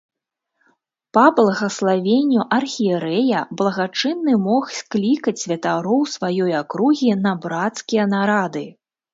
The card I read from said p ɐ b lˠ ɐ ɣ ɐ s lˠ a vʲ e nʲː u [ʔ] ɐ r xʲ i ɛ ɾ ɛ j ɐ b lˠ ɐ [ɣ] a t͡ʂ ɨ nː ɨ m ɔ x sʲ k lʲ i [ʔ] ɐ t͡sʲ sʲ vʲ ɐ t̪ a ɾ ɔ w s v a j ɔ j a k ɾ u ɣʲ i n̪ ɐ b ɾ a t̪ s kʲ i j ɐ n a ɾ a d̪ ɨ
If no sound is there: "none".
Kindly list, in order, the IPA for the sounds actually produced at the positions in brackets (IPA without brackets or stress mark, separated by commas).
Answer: ʔ, ɣ, k